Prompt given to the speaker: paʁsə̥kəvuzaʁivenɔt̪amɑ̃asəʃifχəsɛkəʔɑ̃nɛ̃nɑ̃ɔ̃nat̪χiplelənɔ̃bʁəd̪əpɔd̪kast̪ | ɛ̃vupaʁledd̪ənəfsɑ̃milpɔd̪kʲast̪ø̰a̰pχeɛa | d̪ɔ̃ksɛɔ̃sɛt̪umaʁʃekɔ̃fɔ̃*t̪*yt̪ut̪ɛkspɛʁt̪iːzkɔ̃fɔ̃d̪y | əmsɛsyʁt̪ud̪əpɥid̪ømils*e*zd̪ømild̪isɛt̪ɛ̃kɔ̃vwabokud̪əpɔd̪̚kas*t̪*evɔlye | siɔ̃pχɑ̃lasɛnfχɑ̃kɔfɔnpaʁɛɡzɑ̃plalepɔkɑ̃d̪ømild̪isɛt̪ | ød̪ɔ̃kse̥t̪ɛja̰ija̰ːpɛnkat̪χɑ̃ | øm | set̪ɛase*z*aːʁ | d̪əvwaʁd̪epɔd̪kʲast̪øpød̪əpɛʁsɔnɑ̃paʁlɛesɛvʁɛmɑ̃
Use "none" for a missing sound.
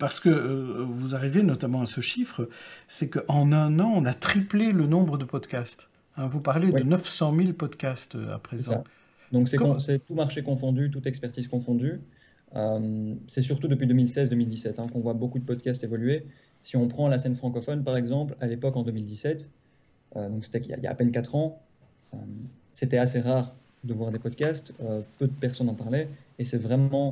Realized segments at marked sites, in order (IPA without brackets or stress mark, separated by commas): d̪, ɛ, t̪, ʁ